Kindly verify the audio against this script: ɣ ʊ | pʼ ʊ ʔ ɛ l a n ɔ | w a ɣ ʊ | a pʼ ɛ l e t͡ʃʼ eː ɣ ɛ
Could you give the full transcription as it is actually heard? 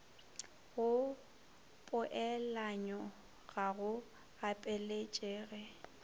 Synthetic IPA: ɣ ʊ | pʼ ʊ ʔ ɛ l a ɲ ɔ | ɣ a ɣ ʊ | a pʼ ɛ l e t͡ʃʼ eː ɣ ɛ